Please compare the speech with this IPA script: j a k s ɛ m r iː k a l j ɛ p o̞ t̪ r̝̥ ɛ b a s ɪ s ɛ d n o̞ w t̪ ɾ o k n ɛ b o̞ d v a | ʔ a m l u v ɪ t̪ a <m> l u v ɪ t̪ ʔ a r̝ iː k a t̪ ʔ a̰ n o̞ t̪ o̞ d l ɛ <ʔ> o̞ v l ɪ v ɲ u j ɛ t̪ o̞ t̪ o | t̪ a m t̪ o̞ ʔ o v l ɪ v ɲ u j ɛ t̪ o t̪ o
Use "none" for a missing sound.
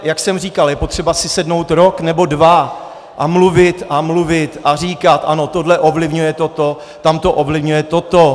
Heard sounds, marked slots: m, ʔ

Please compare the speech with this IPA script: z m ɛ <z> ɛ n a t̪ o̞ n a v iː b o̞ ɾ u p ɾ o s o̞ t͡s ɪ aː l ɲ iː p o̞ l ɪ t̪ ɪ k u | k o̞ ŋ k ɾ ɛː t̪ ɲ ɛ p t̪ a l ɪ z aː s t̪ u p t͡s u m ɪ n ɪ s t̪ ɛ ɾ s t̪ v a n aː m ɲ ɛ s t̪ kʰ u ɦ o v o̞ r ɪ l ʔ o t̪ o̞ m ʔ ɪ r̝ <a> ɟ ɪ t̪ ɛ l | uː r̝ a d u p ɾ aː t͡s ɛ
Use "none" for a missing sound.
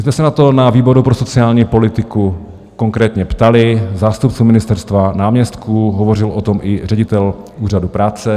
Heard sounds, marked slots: s, ɛ

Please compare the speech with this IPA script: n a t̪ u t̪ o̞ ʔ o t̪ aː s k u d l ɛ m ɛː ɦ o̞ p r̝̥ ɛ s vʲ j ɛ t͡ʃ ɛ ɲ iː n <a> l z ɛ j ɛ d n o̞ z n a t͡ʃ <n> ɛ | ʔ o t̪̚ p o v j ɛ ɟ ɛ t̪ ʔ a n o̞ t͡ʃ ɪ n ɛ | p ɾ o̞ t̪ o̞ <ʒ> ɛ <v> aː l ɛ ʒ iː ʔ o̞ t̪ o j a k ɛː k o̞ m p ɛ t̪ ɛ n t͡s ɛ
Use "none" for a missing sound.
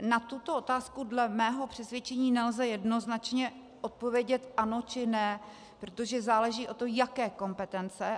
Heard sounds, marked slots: ɛ, ɲ, ʒ, z

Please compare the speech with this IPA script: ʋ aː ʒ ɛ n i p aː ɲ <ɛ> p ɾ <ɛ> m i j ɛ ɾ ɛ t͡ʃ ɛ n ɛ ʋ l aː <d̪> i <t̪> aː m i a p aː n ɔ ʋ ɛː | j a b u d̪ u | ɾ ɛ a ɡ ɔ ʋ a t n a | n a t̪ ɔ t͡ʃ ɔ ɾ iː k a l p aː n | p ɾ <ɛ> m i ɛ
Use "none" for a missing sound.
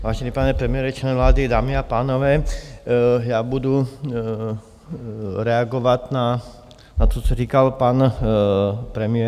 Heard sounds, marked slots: ɛ, ɛ, d̪, d̪, ɛ

